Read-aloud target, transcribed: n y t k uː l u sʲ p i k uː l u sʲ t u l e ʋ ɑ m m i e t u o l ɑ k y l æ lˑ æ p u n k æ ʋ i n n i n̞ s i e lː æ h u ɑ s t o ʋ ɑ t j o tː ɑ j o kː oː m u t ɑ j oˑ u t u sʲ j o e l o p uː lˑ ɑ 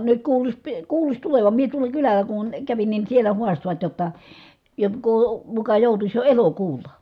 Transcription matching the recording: n y t k uː l u sʲ p i k uː l u sʲ t u l e ʋ ɑ m m i e t u o l ɑ k y l æ lˑ æ k u n k æ ʋ i n n i n̞ s i e l æ h u ɑ s t o ʋ ɑ t j o tː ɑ j o kː oː m u k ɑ j oˑ u t u sʲ j o e l o k uː lˑ ɑ